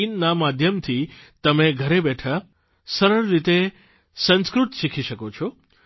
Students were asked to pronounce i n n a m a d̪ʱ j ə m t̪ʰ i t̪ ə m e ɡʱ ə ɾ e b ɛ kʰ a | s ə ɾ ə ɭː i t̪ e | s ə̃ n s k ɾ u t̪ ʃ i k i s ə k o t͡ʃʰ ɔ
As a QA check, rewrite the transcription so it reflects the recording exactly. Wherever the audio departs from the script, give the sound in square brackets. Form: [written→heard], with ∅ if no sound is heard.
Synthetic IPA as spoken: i n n a m a d̪ʱ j ə m t̪ʰ i t̪ ə m e ɡʱ ə ɾ e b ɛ [kʰ→ʈʰ] a | s ə ɾ ə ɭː i t̪ e | s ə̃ n s k ɾ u t̪ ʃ i [k→kʰ] i [s→ʃ] ə k o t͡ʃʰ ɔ